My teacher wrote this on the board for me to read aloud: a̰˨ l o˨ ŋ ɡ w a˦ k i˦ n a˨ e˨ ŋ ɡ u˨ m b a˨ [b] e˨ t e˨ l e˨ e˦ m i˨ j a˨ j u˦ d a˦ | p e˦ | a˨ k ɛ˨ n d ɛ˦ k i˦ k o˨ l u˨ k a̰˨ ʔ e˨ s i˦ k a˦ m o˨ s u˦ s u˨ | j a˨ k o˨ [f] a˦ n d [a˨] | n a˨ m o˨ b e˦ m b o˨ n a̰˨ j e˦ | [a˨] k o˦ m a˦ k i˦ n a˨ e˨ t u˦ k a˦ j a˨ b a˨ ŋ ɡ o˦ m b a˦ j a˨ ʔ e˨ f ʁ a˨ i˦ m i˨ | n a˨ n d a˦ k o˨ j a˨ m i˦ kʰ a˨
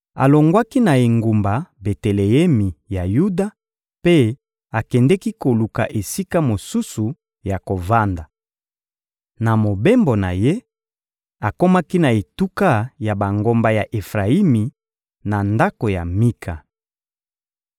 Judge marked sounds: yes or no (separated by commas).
yes, no, yes, yes